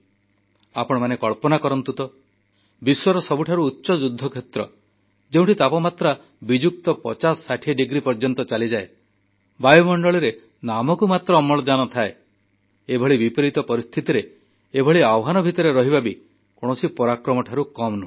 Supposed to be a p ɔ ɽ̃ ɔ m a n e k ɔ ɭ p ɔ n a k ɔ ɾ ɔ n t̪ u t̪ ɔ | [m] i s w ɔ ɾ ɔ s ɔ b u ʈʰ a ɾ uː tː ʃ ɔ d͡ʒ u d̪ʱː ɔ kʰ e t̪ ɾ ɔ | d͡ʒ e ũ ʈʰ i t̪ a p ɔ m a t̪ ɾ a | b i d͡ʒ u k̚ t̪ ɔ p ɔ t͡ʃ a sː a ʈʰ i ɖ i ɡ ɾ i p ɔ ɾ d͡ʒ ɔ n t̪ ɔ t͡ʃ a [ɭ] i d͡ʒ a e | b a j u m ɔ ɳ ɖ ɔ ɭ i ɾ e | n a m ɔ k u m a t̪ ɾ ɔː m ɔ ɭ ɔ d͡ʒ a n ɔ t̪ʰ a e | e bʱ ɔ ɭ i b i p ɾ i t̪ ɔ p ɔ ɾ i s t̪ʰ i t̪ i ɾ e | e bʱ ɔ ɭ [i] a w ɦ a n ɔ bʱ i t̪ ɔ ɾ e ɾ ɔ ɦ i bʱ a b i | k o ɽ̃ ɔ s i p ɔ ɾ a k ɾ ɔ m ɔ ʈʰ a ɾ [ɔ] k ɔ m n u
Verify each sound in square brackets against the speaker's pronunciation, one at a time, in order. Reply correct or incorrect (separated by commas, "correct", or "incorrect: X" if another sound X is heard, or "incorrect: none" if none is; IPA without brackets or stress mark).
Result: incorrect: b, incorrect: l, correct, incorrect: u